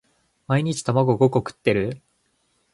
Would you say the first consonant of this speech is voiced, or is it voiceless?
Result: voiced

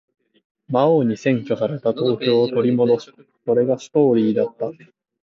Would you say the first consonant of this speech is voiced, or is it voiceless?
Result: voiced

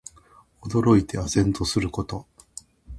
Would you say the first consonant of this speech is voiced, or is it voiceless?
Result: voiced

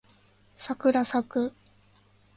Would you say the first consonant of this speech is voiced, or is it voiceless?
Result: voiceless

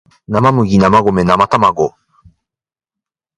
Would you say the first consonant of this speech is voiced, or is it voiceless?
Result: voiced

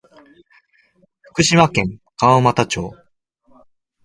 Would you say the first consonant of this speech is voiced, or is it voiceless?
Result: voiceless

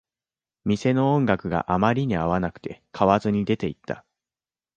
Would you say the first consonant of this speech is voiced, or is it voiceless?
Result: voiced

